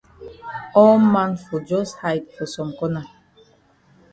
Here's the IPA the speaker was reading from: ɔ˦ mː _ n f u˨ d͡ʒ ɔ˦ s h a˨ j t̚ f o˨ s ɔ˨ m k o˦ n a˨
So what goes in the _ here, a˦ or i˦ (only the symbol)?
a˦